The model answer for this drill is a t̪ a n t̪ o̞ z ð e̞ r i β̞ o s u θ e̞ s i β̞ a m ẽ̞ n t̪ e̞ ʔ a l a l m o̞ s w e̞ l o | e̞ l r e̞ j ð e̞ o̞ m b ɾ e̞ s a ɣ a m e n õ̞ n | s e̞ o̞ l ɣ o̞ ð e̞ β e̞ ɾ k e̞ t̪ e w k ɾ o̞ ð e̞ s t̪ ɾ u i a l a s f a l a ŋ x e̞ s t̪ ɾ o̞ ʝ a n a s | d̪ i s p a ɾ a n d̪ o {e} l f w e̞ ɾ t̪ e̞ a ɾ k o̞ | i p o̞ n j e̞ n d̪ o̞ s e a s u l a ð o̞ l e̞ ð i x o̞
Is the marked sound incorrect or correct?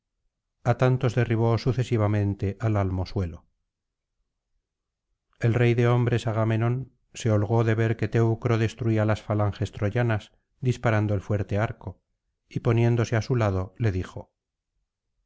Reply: correct